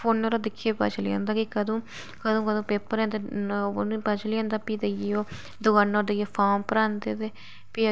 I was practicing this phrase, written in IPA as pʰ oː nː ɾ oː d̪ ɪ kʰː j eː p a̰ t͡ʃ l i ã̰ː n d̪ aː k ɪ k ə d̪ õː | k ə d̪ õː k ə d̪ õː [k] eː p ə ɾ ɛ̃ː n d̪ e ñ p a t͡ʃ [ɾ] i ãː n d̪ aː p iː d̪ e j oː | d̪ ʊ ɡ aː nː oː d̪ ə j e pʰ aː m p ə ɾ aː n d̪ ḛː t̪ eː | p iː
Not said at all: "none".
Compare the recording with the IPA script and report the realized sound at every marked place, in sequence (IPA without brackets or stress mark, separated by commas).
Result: p, l